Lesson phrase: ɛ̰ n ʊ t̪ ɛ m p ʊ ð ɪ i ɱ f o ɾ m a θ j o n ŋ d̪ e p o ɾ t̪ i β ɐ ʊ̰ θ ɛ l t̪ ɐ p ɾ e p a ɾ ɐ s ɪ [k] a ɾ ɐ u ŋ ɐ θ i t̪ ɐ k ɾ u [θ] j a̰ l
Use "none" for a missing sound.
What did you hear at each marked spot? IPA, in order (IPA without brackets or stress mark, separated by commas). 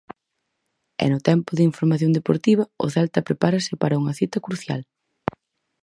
p, θ